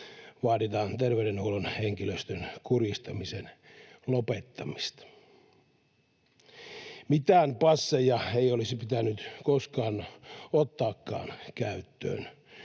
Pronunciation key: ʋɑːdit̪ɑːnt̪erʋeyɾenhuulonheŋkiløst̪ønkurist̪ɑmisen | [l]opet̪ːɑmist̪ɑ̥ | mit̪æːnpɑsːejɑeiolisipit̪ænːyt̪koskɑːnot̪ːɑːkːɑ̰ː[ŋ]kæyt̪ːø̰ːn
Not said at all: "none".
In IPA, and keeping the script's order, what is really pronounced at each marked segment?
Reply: l, n

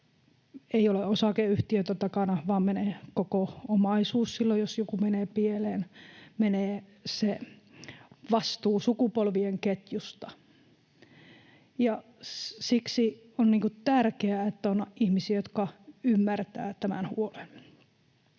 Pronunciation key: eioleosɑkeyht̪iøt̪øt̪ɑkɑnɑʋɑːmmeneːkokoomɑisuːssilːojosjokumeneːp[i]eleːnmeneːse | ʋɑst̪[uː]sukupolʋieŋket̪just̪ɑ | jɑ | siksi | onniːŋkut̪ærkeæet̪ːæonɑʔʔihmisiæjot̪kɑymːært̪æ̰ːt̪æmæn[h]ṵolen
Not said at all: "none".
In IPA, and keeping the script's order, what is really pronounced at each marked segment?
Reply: i, uː, h

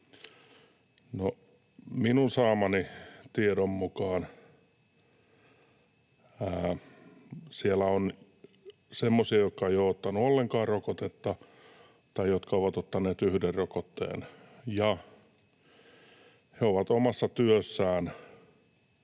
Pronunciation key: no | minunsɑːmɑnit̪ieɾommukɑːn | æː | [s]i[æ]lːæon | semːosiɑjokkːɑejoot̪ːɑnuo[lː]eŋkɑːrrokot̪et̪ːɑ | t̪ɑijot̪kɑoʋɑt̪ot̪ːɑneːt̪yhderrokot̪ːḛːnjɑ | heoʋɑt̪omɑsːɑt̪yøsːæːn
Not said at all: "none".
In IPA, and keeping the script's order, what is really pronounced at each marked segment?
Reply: s, e, lː

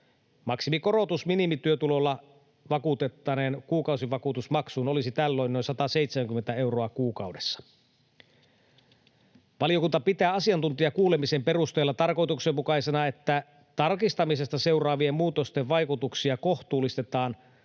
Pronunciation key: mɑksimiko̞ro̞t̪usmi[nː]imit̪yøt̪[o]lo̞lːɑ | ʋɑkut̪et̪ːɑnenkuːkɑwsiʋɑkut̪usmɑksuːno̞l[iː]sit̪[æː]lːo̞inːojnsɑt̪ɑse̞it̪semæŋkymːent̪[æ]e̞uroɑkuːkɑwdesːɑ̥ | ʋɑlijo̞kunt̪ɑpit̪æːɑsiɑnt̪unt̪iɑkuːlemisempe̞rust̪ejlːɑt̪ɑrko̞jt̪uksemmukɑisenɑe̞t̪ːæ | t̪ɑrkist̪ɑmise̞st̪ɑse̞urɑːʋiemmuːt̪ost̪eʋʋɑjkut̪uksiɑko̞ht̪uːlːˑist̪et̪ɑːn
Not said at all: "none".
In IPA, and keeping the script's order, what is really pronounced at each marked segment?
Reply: n, u, i, æ, æ

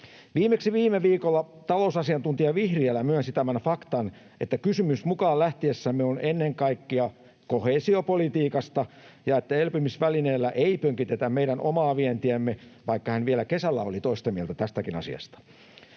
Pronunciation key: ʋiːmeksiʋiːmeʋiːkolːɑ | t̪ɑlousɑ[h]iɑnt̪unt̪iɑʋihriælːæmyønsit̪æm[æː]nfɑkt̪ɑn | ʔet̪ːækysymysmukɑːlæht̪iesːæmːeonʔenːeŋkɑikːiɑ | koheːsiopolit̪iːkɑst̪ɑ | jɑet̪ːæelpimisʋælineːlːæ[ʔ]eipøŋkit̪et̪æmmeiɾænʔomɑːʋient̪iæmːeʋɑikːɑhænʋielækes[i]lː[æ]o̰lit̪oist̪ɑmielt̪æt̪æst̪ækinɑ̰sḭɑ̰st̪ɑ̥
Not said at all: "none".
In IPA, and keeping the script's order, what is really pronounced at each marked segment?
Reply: s, æ, ʔ, æ, æ

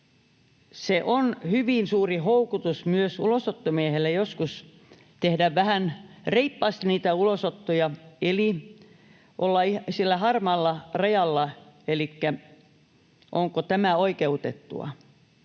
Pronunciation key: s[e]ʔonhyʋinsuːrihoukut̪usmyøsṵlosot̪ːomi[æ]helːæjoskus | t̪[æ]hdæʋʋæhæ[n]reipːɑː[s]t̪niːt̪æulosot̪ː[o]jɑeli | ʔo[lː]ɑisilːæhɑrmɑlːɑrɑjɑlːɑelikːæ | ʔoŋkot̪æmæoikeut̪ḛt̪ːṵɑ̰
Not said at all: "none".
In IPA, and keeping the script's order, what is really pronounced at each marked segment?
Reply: e, e, e, n, s, o, lː

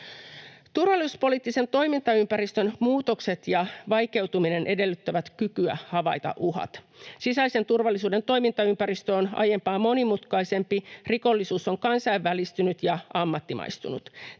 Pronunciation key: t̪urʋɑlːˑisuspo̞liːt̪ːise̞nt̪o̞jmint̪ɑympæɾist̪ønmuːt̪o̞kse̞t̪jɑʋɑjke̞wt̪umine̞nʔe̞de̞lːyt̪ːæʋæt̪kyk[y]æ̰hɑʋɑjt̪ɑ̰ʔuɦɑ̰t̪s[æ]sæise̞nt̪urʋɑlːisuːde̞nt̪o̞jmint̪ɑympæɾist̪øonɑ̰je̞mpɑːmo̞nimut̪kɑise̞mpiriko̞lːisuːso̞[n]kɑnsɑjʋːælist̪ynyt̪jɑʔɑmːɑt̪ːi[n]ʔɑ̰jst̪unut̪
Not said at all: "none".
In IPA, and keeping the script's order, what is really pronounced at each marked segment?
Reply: y, i, ŋ, m

